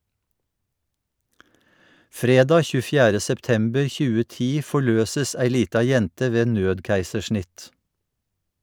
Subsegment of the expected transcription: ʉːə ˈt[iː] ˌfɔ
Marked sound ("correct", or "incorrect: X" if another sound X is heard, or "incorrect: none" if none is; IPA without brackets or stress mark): correct